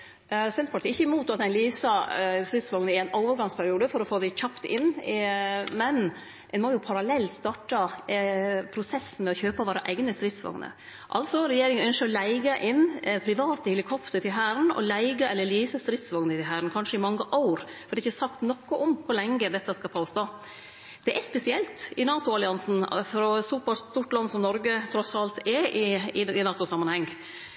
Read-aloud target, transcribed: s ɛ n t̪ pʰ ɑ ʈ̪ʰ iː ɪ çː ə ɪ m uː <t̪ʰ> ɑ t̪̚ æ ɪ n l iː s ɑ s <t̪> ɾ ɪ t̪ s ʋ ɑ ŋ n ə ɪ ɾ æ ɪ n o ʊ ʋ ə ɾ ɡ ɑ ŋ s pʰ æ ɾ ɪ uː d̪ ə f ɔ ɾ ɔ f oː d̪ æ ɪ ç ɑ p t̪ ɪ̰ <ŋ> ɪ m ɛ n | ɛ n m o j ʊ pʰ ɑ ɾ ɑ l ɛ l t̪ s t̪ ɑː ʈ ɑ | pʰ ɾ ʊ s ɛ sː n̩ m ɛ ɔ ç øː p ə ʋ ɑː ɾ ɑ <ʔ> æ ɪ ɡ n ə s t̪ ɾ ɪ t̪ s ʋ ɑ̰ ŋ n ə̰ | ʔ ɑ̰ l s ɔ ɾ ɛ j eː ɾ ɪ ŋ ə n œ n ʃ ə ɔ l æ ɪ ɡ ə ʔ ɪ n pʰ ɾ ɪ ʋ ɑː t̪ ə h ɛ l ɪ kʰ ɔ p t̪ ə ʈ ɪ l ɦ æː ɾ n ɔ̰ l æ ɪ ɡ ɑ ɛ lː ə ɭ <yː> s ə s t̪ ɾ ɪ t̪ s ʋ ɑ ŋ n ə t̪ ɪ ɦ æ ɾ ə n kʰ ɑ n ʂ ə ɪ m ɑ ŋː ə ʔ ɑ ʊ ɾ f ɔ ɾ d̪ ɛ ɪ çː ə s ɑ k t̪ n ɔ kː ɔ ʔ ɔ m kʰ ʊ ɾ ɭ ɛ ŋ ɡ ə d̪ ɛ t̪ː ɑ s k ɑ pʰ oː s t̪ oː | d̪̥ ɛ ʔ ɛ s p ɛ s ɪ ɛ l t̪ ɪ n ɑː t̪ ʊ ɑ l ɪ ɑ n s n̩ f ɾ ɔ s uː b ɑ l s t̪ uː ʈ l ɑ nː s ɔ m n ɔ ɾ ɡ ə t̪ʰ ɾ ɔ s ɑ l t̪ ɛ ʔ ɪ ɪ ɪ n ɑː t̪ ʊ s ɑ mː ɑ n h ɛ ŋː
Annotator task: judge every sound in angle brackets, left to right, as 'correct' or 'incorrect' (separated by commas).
incorrect, correct, incorrect, correct, incorrect